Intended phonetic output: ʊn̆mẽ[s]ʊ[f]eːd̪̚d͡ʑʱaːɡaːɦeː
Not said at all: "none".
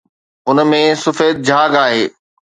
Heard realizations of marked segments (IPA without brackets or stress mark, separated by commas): s, f